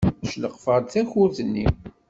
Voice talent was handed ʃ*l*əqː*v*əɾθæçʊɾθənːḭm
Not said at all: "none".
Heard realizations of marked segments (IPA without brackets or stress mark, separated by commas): l, f